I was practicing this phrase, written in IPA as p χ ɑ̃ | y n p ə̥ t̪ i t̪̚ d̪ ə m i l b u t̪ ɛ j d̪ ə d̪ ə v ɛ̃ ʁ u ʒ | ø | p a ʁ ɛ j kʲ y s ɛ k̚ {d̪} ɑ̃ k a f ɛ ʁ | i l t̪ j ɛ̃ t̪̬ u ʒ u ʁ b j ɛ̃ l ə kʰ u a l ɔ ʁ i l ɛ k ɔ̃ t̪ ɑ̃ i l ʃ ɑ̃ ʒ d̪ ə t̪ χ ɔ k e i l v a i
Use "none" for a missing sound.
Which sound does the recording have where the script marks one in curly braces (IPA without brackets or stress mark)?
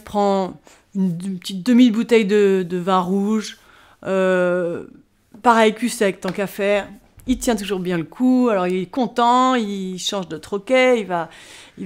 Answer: t̪